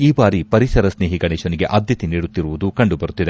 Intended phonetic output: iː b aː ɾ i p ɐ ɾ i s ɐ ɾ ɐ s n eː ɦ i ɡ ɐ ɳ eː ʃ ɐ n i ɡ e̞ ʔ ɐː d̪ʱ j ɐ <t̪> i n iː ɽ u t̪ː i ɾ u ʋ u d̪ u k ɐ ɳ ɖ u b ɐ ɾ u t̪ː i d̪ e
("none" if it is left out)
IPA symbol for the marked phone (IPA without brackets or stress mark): t̪